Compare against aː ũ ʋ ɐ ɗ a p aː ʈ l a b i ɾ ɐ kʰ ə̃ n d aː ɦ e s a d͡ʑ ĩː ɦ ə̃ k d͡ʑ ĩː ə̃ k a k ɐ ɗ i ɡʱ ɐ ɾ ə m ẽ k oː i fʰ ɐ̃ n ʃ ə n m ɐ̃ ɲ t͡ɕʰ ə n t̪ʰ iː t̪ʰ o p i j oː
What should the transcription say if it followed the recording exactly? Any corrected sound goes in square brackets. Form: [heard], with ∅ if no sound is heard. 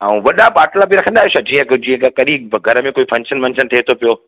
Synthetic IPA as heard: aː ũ ʋ ɐ ɗ a p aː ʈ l a b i ɾ ɐ kʰ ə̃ n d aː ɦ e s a d͡ʑ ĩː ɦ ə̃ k d͡ʑ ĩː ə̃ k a k ɐ ɗ i ɡʱ ɐ ɾ ə m ẽ k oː i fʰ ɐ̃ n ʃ ə n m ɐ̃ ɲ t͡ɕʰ ə n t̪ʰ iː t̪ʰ o p i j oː

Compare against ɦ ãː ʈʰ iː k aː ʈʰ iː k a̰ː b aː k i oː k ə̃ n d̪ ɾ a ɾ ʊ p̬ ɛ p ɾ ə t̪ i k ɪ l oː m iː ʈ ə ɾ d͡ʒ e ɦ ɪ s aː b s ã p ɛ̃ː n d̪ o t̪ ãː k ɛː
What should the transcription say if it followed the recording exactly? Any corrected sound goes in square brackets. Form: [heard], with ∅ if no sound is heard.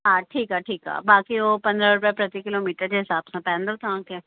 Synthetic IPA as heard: ɦ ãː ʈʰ iː k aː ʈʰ iː k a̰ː b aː k i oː [p] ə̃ n d̪ ɾ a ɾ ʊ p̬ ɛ p ɾ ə t̪ i k ɪ l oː m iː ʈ ə ɾ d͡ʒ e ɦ ɪ s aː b s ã p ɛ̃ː n d̪ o t̪ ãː k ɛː

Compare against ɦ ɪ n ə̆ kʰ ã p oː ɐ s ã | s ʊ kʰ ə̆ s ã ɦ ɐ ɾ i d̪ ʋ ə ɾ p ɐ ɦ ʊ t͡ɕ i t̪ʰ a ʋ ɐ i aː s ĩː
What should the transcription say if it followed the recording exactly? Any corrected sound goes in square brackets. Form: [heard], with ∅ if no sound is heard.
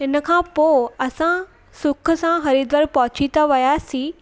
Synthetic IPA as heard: ɦ ɪ n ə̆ kʰ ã p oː ɐ s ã | s ʊ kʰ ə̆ s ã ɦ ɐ ɾ i d̪ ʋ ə ɾ p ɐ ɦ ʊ t͡ɕ i [t̪] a ʋ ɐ [j] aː s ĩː

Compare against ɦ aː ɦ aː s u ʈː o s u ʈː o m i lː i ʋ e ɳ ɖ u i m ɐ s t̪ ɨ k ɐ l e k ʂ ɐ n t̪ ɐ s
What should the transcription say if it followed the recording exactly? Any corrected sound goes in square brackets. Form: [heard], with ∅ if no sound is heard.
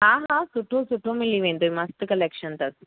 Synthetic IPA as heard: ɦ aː ɦ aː s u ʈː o s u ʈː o m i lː i ʋ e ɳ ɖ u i m ɐ s t̪ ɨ k ɐ l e k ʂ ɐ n t̪ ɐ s

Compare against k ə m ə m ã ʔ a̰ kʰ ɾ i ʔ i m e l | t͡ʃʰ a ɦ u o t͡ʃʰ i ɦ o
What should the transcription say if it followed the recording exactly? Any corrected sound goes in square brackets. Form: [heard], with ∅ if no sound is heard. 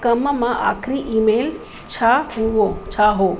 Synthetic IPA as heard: k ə m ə m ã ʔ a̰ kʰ ɾ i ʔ i m e l | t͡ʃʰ a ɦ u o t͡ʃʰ [a] ɦ o

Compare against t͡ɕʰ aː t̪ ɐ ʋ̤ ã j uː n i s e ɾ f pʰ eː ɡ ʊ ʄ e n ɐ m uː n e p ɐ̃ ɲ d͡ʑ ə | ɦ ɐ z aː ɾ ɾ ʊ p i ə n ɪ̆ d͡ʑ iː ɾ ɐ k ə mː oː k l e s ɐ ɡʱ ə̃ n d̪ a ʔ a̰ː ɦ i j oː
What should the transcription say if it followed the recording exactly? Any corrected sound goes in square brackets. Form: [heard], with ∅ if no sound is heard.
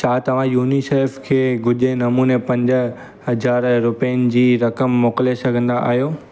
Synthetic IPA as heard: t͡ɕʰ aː t̪ ɐ ʋ̤ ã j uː n i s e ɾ f [kʰ] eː ɡ ʊ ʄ e n ɐ m uː n e p ɐ̃ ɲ d͡ʑ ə | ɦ ɐ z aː ɾ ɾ ʊ p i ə n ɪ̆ d͡ʑ iː ɾ ɐ k ə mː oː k l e s ɐ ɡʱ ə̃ n d̪ a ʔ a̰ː ɦ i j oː

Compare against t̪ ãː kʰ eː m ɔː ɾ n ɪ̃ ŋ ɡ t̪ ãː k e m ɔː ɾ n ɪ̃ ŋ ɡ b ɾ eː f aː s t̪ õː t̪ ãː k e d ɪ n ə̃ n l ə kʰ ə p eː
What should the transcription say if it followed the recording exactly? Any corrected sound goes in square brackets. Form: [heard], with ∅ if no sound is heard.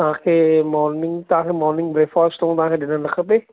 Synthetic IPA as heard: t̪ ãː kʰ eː m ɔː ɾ n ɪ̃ ŋ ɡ t̪ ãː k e m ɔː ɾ n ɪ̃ ŋ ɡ b ɾ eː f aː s t̪ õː t̪ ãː k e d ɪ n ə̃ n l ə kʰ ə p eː

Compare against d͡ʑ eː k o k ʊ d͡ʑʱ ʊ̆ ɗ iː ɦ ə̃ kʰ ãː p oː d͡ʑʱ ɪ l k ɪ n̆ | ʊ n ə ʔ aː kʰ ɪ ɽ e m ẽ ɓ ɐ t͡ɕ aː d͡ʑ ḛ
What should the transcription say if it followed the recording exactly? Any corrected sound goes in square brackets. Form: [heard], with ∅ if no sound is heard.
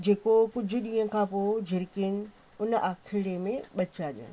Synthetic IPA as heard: d͡ʑ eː k o k ʊ d͡ʑʱ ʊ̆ ɗ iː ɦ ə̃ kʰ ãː p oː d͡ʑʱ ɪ [ɾ] k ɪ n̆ | ʊ n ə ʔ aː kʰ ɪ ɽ e m ẽ ɓ ɐ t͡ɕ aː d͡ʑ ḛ

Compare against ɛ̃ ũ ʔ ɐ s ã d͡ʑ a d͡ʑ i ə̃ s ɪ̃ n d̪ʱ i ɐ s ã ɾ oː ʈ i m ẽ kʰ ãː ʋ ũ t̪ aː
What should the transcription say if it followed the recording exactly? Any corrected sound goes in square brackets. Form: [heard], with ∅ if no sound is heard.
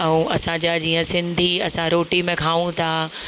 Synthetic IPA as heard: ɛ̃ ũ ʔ ɐ s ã d͡ʑ a d͡ʑ [iː] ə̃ s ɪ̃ n d̪ʱ i ɐ s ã ɾ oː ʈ i m ẽ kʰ [aː] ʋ ũ [t̪ʰ] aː

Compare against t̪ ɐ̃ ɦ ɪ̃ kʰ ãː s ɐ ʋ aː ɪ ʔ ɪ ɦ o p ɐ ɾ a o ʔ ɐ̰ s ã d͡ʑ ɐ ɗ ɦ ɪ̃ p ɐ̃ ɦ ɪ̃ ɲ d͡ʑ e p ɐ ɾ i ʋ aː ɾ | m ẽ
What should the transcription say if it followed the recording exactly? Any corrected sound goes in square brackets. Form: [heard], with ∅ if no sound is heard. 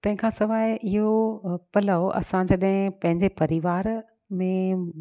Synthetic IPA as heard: t̪ ɐ̃ ɦ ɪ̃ kʰ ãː s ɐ ʋ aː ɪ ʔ ɪ ɦ o p ɐ [l] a o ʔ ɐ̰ s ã d͡ʑ ɐ ɗ ɦ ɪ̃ p ɐ̃ ɦ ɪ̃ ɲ d͡ʑ e p ɐ ɾ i ʋ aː ɾ | m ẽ

